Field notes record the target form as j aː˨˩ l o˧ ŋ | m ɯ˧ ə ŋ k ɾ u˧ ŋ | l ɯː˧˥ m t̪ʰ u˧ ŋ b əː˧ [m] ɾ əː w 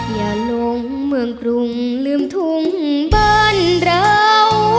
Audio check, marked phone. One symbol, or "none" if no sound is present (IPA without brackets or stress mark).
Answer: n